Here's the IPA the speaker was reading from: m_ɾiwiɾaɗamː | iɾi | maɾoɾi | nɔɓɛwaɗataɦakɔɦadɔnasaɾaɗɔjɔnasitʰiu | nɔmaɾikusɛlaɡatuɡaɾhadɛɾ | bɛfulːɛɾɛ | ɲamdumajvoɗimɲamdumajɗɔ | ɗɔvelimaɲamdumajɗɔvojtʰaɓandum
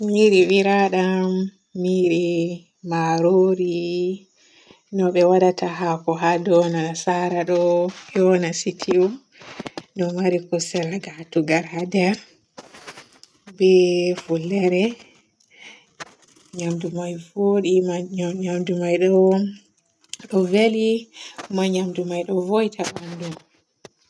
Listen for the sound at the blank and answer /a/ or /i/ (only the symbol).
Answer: i